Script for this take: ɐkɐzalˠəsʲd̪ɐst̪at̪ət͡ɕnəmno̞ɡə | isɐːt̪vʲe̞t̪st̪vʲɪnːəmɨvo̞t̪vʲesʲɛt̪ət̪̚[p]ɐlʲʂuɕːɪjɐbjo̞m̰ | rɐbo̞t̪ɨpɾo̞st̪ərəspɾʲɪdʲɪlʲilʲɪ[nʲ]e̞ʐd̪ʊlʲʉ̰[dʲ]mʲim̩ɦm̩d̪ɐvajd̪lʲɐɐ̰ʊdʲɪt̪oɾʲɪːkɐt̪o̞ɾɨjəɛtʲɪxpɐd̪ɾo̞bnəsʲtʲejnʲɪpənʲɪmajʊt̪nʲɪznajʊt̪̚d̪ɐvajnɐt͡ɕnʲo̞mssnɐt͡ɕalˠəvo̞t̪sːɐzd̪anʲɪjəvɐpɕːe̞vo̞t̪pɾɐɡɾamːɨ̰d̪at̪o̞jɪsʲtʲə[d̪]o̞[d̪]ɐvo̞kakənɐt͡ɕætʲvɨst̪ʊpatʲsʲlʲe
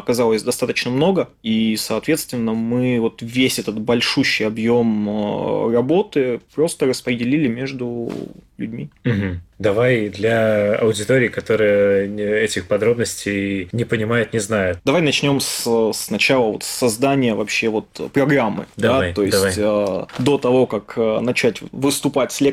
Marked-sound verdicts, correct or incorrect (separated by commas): incorrect, incorrect, correct, correct, incorrect